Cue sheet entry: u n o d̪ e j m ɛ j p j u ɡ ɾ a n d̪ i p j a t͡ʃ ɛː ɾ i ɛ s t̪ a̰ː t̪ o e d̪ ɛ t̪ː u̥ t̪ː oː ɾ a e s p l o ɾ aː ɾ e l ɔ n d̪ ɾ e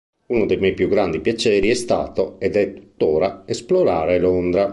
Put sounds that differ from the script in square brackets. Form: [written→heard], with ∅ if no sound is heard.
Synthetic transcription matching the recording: u n o d̪ e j m ɛ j p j u ɡ ɾ a n d̪ i p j a t͡ʃ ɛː ɾ i ɛ s t̪ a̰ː t̪ o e d̪ ɛ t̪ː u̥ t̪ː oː ɾ a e s p l o ɾ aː ɾ e l [ɔ→o] n d̪ ɾ [e→a]